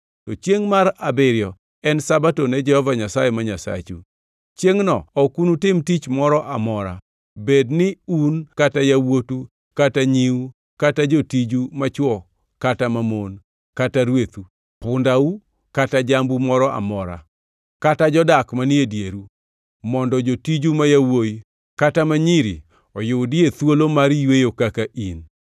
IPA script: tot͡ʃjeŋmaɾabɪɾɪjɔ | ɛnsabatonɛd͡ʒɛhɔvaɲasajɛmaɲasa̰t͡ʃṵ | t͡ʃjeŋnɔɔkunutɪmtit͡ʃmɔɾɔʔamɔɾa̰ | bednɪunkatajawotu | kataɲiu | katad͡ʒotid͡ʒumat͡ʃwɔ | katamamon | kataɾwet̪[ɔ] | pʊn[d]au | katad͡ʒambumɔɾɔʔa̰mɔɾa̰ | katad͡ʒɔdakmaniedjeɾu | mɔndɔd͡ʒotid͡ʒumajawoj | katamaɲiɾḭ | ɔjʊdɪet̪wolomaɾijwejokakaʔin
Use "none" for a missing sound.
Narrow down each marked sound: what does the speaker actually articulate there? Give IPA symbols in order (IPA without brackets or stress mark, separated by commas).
u, d